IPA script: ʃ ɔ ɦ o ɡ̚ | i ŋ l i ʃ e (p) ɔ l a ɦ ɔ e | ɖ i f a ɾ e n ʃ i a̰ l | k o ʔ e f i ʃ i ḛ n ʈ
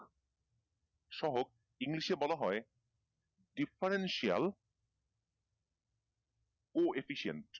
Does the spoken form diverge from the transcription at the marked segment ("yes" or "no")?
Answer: yes